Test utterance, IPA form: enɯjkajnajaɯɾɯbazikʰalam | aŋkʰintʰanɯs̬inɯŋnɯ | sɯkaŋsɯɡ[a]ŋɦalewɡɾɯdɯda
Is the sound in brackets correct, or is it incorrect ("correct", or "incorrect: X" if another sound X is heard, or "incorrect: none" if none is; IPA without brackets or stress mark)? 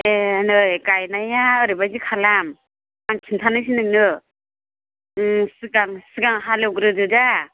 correct